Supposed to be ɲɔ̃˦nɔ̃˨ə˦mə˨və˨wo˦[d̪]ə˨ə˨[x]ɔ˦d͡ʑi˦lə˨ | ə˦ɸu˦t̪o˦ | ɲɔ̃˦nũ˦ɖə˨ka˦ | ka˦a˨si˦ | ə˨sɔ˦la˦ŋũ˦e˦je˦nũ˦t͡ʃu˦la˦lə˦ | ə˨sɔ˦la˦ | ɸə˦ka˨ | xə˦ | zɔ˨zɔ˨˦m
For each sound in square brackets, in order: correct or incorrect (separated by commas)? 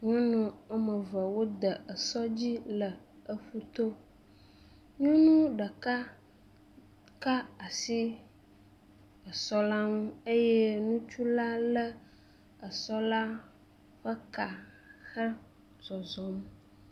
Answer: correct, incorrect